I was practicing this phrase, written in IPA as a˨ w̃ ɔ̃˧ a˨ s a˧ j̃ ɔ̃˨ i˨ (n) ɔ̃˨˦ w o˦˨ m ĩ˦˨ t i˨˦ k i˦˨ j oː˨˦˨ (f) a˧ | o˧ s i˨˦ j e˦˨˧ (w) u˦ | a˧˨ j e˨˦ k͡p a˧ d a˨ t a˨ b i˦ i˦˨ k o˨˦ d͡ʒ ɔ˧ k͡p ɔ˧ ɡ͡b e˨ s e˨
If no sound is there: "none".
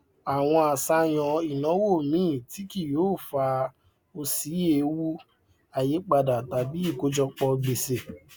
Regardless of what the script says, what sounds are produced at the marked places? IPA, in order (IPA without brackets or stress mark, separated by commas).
n, f, w